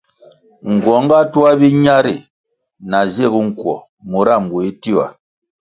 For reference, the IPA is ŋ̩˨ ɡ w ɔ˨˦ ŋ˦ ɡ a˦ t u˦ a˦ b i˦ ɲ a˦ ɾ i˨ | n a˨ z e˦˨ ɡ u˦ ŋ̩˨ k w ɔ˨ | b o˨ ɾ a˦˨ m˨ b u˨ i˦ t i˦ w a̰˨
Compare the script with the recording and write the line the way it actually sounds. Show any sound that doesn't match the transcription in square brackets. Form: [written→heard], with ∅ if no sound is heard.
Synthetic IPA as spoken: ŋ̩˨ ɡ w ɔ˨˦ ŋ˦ ɡ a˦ t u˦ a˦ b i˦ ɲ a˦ ɾ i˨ | n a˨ z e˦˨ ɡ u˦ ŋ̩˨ k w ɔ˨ | [b→m] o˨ ɾ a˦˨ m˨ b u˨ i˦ t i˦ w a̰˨

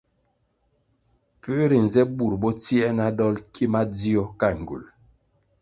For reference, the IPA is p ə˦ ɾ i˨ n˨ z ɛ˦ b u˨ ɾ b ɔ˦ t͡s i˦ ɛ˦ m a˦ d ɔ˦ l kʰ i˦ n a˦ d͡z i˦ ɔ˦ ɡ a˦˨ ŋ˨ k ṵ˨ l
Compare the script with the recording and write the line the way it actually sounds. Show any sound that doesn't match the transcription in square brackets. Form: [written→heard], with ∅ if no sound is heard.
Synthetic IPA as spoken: p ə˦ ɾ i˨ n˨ z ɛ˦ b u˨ ɾ b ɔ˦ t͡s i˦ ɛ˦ [m→n] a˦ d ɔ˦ l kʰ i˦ [n→m] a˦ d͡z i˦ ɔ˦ [ɡ→k] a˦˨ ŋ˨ [k→ɡ] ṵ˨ l

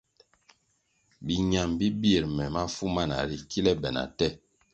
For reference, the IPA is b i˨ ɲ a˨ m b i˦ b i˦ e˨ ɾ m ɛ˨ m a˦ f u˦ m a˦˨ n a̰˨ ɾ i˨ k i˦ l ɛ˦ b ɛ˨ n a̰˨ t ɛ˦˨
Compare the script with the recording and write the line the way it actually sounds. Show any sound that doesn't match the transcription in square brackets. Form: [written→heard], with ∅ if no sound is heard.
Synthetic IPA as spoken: b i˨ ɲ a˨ m b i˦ b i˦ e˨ ɾ m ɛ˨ m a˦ f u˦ m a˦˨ n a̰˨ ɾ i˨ k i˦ l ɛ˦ b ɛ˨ n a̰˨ t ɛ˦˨

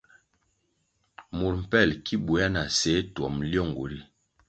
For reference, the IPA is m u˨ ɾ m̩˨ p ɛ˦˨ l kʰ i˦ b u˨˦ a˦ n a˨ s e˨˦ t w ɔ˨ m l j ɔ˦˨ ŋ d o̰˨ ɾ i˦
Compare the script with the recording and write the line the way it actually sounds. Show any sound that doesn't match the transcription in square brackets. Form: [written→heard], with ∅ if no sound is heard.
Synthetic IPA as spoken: m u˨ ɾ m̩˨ p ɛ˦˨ l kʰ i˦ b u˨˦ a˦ n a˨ s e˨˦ t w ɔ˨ m l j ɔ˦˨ ŋ [d→ɡ] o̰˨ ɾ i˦

